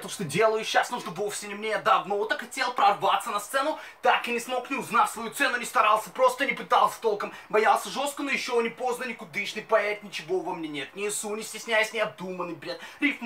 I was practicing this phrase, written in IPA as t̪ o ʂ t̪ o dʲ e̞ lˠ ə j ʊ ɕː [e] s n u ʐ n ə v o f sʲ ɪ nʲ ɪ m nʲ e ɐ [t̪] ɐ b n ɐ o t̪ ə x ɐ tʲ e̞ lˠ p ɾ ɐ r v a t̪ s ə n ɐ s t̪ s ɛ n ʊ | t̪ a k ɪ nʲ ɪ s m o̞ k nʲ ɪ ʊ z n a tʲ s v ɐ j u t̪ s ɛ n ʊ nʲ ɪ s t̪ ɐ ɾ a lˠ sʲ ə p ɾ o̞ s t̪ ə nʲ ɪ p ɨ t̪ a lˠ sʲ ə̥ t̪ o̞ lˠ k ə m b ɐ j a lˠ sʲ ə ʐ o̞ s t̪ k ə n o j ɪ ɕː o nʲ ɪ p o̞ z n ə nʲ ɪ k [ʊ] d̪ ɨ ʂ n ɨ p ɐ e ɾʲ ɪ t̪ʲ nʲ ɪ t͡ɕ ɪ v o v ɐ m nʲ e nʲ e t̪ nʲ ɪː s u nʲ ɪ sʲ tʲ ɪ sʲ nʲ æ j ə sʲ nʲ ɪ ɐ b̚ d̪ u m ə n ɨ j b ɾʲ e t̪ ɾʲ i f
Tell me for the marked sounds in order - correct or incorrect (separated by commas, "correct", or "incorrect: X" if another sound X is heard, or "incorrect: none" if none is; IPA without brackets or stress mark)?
incorrect: a, incorrect: d̪, correct